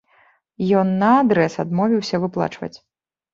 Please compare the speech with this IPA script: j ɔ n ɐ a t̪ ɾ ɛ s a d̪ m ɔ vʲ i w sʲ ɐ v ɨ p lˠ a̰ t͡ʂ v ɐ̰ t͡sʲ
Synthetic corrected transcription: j ɔ nː ɐ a d̪ ɾ ɛ s a d̪ m ɔ vʲ i w sʲ ɐ v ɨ p lˠ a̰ t͡ʂ v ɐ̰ t͡sʲ